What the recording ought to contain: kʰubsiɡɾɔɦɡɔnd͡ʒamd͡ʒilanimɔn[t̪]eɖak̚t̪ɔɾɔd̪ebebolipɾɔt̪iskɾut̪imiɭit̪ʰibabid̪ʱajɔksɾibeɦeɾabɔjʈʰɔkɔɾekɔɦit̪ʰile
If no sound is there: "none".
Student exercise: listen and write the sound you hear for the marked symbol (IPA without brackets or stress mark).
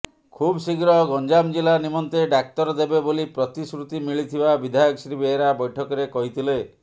t̪